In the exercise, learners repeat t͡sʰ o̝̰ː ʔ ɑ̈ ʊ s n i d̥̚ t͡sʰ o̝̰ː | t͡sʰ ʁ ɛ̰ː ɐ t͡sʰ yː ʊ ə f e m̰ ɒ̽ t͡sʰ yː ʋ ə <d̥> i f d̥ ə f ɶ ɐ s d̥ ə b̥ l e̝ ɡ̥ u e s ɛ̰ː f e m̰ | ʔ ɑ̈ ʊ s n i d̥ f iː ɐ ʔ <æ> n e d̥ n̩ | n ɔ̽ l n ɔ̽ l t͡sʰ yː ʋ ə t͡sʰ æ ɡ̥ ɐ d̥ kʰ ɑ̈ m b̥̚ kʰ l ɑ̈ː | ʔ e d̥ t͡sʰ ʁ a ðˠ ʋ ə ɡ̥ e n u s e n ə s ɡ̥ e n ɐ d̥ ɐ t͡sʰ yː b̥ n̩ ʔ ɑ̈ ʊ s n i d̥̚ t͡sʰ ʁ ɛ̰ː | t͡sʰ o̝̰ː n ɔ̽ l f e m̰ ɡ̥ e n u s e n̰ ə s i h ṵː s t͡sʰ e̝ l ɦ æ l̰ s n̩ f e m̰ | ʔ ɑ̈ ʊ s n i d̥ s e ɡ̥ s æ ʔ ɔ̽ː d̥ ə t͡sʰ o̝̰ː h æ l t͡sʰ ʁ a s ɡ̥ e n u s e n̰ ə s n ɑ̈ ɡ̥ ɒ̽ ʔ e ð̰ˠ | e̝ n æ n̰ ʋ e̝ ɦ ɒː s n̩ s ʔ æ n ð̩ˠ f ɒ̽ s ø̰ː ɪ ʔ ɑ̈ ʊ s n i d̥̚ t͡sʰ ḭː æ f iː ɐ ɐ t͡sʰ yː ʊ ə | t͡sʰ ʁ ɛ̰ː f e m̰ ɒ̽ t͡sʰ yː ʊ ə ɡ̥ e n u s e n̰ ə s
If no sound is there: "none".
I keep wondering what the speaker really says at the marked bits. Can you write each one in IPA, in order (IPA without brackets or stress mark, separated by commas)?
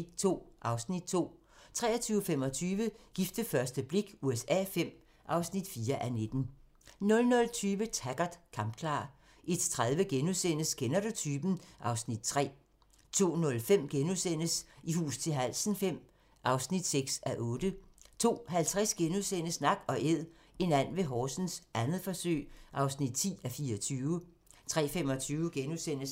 ɡ̥, æ